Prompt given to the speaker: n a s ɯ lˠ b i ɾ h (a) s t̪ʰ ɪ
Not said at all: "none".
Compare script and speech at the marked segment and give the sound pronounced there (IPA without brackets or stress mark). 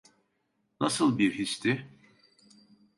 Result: i